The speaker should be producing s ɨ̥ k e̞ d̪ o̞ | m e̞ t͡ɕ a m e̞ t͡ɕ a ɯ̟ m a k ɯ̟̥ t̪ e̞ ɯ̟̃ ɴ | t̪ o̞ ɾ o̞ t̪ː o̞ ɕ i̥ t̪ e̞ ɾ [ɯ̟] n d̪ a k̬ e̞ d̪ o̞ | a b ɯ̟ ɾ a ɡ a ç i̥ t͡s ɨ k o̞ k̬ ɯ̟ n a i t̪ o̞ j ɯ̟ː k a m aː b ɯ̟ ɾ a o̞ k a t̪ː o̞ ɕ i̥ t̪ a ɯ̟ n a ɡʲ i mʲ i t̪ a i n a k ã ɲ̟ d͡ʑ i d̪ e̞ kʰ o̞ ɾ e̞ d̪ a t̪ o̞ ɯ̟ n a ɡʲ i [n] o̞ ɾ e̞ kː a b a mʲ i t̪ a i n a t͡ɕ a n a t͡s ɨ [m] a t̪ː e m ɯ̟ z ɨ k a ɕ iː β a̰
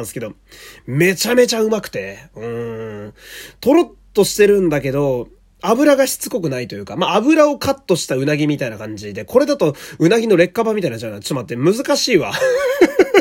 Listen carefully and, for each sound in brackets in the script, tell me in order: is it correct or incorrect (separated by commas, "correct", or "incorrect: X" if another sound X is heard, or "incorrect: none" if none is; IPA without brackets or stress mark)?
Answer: incorrect: ɯ̟̃, correct, correct